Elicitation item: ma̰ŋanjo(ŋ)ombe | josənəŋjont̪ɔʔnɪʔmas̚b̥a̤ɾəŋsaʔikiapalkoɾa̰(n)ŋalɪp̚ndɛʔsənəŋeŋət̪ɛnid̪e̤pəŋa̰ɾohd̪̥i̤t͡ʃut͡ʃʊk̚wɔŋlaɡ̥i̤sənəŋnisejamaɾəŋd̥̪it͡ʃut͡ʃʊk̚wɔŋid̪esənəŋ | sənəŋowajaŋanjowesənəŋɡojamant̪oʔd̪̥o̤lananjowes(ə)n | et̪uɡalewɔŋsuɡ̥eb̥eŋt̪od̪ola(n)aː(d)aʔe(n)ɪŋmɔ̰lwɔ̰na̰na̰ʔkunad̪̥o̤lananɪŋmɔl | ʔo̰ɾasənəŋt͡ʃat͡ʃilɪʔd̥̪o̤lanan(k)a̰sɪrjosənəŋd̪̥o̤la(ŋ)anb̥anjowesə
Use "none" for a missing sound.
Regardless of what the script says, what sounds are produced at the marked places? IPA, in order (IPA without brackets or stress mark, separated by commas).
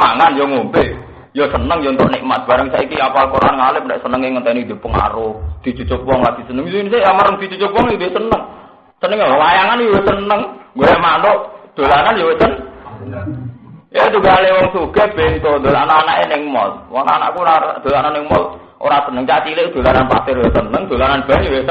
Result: ŋ, n, ə, n, n, n, p, n